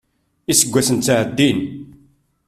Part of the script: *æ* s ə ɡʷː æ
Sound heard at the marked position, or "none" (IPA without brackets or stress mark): i